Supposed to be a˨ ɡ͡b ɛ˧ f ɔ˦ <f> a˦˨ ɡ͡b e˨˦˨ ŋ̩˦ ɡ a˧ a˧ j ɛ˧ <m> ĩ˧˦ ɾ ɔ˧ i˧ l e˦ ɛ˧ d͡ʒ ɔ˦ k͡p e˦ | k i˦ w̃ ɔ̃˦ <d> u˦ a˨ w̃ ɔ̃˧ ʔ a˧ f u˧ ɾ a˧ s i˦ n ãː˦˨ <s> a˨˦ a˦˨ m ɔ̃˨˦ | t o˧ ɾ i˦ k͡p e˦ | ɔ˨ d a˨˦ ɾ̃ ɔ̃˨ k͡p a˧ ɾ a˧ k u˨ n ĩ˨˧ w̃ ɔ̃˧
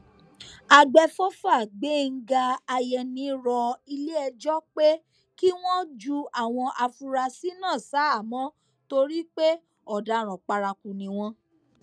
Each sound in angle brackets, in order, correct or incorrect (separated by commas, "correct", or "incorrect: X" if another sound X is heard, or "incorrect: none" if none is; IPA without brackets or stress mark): correct, incorrect: n, incorrect: d͡ʒ, correct